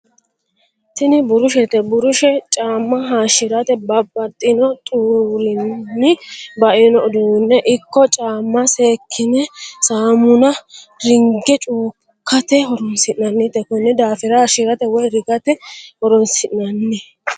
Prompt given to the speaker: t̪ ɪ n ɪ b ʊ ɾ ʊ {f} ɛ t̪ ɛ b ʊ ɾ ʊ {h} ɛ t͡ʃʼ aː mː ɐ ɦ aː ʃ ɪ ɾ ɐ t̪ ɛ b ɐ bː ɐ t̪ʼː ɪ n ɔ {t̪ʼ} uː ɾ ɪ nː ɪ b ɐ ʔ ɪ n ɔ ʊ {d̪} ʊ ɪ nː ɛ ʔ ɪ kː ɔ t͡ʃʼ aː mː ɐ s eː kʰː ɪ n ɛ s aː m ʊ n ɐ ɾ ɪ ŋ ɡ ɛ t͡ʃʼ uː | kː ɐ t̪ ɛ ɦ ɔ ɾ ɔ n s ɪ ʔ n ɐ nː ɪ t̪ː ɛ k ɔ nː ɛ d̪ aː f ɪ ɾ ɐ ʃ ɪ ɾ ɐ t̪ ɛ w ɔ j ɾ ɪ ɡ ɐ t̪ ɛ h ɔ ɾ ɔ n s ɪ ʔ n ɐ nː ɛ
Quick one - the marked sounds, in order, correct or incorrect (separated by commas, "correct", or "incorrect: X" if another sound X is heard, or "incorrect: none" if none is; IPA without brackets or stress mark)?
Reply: incorrect: ʃ, incorrect: ʃ, correct, correct